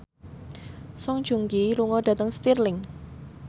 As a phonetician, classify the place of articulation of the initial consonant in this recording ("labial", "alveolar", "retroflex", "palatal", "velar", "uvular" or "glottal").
alveolar